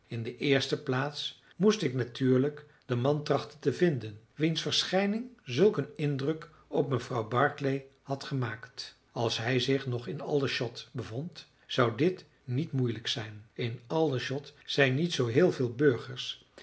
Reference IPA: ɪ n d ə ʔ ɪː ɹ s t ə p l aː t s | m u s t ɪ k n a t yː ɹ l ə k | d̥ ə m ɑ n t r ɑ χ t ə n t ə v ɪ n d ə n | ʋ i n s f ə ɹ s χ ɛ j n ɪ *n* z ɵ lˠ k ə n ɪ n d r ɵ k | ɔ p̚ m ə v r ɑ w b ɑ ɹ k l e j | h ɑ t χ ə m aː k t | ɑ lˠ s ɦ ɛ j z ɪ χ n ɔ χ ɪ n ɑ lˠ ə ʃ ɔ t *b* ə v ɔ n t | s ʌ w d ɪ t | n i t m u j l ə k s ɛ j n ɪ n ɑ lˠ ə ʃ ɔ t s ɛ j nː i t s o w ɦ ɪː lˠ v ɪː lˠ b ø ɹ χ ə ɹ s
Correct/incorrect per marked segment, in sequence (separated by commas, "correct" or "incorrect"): incorrect, correct